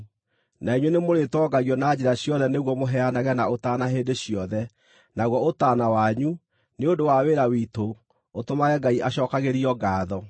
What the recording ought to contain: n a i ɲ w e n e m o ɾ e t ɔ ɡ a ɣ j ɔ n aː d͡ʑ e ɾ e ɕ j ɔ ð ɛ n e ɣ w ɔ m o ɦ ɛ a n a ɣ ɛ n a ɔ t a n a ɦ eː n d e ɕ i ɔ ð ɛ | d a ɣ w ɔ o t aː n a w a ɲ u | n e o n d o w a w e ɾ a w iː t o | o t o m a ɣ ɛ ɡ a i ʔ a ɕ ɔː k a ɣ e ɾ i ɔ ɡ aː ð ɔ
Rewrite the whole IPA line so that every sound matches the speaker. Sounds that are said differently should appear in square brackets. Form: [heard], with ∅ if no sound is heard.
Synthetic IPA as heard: n a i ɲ w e n e m o ɾ e t ɔ ɡ a ɣ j ɔ n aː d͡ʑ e ɾ [a] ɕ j ɔ ð ɛ n e ɣ w ɔ m o ɦ ɛ a n a ɣ ɛ n a [o] t a n a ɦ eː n d e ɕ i ɔ ð ɛ | [n] a ɣ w ɔ o t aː n a w a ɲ u | n e o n d o w a w e ɾ a w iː t o | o t o m a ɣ ɛ ɡ a i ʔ a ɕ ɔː k a ɣ e ɾ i ɔ ɡ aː ð ɔ